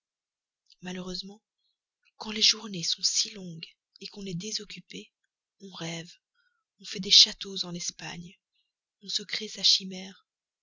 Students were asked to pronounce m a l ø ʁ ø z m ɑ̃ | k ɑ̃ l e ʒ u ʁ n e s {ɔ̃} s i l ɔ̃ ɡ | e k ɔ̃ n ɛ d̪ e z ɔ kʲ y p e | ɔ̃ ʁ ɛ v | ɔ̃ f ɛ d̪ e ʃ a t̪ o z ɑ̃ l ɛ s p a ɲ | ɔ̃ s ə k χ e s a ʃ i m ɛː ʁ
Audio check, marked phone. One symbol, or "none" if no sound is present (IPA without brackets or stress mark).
ɔ̃